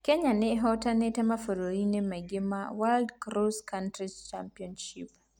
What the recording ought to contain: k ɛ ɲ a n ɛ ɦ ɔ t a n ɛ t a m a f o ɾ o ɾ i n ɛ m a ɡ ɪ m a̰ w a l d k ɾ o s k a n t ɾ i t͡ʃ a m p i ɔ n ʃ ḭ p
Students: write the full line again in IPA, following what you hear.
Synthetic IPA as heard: k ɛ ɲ a n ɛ ɦ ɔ t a n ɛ t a m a f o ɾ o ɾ i n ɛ m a ɡ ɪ m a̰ w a l d k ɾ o s k a n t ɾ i t͡ʃ a m p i ɔ n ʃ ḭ p